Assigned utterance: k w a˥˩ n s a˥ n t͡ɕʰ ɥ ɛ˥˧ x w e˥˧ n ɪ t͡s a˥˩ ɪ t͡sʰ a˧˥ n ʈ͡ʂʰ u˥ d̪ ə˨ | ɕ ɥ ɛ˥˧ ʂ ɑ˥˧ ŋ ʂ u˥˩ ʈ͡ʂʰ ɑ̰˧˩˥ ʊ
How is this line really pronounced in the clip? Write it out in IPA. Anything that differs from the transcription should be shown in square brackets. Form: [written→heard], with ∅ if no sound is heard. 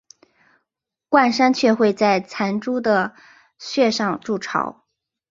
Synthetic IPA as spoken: k w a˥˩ n [s→ʂ] a˥ n t͡ɕʰ ɥ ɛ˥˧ x w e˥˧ [n→∅] ɪ t͡s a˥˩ ɪ t͡sʰ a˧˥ n [ʈ͡ʂʰ→ʈ͡ʂ] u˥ d̪ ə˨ | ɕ ɥ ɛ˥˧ ʂ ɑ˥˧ ŋ [ʂ→ʈ͡ʂ] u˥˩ ʈ͡ʂʰ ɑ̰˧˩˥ ʊ